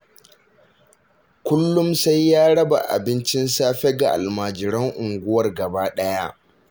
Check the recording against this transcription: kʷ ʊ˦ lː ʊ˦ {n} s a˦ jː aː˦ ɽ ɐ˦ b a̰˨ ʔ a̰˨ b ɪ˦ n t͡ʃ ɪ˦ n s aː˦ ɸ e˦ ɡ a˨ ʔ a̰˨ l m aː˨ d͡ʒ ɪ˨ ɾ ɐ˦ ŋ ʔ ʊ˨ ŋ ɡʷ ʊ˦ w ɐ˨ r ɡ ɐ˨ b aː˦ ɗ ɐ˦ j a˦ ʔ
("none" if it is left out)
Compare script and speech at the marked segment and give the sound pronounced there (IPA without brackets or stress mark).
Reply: m